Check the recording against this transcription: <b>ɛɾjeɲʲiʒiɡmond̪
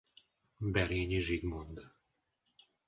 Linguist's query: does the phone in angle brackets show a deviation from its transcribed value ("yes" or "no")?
no